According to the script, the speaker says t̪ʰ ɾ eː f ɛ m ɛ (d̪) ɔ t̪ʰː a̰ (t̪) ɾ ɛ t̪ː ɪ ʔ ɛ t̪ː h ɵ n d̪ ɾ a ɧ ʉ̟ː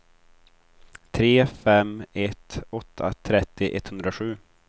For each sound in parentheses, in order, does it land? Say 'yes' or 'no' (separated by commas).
no, no